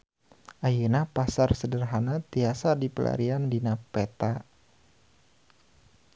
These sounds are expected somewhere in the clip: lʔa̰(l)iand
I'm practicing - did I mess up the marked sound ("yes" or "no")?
yes